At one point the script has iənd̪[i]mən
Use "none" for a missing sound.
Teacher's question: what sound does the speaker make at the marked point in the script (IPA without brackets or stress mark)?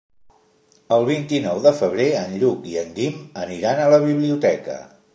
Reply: i